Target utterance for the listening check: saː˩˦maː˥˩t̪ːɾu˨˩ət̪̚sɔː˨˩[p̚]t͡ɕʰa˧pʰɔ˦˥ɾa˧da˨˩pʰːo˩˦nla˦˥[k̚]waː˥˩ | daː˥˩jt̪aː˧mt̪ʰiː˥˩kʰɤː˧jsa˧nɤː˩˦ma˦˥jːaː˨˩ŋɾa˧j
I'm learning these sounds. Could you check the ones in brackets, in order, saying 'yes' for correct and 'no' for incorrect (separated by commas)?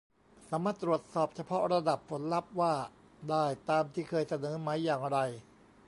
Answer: yes, no